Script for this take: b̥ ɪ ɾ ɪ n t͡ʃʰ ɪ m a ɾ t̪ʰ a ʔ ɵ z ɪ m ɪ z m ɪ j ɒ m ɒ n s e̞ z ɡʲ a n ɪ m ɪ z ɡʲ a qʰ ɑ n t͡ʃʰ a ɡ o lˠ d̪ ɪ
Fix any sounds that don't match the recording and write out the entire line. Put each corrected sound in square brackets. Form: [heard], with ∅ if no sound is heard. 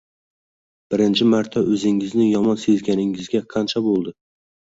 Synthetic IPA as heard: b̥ ɪ ɾ ɪ n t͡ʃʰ ɪ m a ɾ t̪ʰ a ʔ ɵ z ɪ [ŋ] ɪ z [n] ɪ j ɒ m ɒ n s e̞ z ɡʲ a n ɪ [ŋ] ɪ z ɡʲ a qʰ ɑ n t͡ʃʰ a [b] o lˠ d̪ ɪ